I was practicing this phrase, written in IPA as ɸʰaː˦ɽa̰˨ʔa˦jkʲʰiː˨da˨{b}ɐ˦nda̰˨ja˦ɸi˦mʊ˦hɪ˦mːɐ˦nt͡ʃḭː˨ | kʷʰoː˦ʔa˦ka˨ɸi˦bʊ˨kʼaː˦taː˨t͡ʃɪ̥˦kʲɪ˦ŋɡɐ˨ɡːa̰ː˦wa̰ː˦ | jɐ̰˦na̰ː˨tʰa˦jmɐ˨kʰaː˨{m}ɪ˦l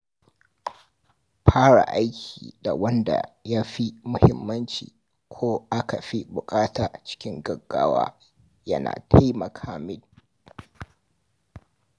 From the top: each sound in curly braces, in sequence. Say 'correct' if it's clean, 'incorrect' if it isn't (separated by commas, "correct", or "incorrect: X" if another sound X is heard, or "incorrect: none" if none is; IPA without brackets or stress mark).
incorrect: w, correct